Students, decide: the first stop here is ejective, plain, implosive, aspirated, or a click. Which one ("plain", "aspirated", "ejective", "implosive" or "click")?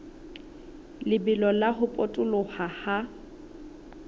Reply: plain